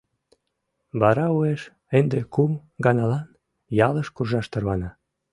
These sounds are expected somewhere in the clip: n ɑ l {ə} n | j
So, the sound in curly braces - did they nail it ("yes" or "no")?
no